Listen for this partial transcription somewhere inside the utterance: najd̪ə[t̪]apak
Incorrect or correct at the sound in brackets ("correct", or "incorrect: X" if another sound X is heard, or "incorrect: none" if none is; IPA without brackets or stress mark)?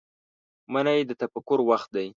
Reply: correct